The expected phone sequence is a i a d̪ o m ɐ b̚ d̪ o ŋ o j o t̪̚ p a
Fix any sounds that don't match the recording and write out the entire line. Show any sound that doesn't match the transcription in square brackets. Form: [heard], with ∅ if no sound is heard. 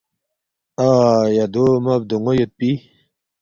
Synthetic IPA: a [j] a d̪ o m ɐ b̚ d̪ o ŋ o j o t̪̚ p [i]